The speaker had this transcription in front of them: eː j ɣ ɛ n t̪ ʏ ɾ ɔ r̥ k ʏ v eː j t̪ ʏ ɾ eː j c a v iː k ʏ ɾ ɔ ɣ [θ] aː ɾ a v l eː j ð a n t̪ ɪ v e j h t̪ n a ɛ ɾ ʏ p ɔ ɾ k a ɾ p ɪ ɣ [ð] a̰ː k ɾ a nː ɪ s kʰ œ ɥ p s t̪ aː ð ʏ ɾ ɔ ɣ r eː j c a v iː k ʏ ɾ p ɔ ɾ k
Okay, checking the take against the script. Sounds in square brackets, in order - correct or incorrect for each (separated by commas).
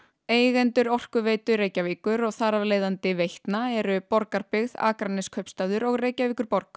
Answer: correct, correct